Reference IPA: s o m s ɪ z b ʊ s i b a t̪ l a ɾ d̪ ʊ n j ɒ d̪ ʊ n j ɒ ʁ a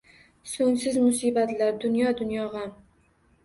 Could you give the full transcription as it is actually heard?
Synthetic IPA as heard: s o ŋ s ɪ z m ʊ s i b a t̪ l a ɾ d̪ ʊ n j ɒ d̪ ʊ n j ɒ ʁ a